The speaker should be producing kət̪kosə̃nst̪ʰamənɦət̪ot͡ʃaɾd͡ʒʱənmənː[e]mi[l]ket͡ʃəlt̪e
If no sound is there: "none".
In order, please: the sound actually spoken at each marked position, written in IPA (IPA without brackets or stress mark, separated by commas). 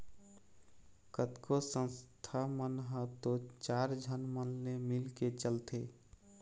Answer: e, l